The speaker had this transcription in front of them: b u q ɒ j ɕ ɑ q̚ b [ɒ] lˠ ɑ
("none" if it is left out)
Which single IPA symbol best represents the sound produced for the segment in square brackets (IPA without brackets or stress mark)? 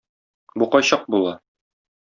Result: u